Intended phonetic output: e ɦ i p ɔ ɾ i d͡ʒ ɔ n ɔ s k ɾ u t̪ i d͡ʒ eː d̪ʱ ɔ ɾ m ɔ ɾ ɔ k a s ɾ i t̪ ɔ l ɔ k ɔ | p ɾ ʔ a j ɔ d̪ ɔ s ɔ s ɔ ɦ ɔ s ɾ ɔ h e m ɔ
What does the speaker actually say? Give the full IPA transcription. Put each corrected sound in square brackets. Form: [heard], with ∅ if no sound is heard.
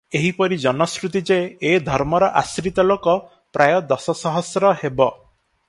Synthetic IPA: e ɦ i p ɔ ɾ i d͡ʒ ɔ n ɔ s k ɾ u t̪ i d͡ʒ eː d̪ʱ ɔ ɾ m ɔ ɾ ɔ [ʔ] a s ɾ i t̪ ɔ l [o] k ɔ | p ɾ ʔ a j ɔ d̪ ɔ s ɔ s ɔ ɦ ɔ s ɾ ɔ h e [b] ɔ